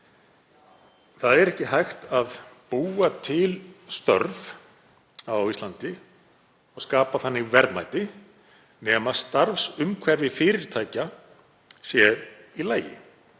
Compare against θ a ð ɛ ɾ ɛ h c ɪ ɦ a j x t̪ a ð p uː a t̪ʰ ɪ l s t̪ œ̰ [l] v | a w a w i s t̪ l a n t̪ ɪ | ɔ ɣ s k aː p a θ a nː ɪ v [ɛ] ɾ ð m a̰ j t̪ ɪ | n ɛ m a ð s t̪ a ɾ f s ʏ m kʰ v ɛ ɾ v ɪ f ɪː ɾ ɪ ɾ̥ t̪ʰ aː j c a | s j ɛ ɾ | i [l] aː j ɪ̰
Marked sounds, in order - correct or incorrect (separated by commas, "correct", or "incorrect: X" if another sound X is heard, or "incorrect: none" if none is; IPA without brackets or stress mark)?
incorrect: ɾ, correct, correct